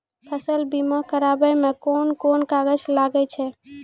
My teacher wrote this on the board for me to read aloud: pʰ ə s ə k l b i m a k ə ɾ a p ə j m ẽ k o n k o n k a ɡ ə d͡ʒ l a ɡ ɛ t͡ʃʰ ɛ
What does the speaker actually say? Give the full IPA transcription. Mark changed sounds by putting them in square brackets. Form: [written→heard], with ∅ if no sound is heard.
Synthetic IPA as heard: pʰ ə s ə [k→∅] l b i m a k ə ɾ a [p→b] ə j m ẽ k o n k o n k a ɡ ə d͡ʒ l a ɡ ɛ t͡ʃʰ ɛ